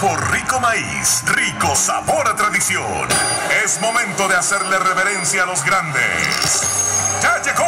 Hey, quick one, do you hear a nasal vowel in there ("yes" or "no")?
yes